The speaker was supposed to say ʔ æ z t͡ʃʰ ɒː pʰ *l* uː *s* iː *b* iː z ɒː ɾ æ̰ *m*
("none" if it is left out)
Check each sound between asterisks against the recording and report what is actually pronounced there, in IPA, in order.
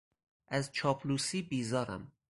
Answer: l, s, b, m

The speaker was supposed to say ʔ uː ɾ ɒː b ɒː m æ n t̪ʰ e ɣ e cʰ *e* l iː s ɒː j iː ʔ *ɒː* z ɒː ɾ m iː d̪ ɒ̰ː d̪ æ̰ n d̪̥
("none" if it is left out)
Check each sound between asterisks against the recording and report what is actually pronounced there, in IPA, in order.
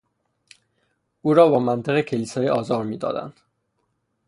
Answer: e, ɒː

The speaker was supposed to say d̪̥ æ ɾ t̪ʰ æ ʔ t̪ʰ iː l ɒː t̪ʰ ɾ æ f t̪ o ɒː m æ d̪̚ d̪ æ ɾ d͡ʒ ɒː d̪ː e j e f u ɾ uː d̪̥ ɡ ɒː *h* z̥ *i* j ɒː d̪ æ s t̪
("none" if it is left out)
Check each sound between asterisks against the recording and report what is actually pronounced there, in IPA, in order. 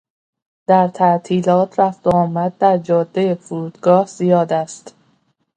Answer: h, i

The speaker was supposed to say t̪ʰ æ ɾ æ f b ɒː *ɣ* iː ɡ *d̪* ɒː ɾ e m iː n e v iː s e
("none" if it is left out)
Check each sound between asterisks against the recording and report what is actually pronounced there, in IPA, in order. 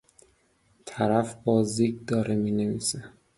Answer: z, d̪

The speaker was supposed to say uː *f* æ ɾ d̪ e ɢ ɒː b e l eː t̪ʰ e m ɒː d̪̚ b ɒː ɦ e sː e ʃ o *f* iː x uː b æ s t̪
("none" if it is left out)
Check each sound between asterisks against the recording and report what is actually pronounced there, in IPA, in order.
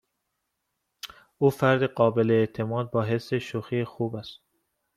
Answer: f, x

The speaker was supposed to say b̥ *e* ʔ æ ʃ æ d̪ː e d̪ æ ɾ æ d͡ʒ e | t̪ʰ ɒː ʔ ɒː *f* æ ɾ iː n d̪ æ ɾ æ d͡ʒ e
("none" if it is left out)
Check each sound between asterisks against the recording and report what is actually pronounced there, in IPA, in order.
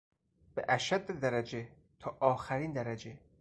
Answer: e, x

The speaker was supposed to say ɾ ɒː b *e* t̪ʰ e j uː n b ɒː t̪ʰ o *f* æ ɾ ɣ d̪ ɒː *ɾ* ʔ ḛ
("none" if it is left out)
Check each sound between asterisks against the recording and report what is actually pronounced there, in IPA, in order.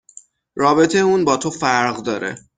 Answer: e, f, ɾ

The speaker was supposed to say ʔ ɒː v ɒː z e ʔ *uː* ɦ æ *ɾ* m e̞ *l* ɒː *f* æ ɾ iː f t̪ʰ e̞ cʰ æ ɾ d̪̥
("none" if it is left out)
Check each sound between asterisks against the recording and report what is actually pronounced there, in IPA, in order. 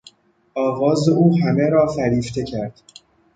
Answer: uː, none, ɾ, f

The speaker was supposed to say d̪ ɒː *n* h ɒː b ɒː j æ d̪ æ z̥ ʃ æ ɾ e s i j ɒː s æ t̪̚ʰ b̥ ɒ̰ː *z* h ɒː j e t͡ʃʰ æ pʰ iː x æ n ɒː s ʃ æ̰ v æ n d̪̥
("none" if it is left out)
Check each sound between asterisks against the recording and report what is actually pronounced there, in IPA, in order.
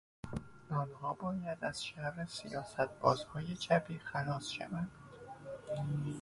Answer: n, z

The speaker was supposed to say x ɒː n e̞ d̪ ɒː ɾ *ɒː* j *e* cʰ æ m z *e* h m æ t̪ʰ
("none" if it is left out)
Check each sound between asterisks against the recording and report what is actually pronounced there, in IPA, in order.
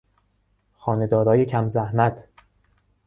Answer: ɒː, e, æ

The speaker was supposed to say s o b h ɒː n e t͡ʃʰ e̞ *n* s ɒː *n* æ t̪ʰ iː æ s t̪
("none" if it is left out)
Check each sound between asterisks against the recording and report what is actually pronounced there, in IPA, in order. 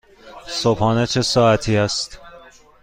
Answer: none, none

